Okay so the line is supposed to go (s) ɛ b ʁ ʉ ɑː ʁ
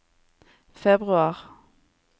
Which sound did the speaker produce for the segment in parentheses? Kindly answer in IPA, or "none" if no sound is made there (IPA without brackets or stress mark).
f